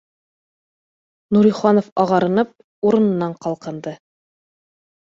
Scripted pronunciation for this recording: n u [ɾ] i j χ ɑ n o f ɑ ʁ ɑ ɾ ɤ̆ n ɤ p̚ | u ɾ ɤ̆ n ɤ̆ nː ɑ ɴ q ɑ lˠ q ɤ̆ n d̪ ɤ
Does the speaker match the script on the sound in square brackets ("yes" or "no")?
yes